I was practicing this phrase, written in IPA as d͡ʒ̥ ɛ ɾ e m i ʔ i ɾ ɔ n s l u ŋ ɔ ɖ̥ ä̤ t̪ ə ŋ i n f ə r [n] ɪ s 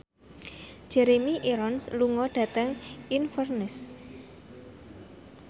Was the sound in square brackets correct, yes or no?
yes